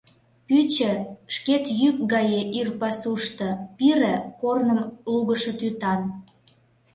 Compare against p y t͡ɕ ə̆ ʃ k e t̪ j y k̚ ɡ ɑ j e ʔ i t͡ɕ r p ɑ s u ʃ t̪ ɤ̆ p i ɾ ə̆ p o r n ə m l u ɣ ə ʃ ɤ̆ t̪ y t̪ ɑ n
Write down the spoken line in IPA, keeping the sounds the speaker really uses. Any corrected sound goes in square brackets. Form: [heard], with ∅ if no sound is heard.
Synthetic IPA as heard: p y t͡ɕ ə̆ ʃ k e t̪ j y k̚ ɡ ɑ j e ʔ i [∅] r p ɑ s u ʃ t̪ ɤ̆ p i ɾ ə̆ [k] o r n ə m l u ɣ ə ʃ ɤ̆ t̪ y t̪ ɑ n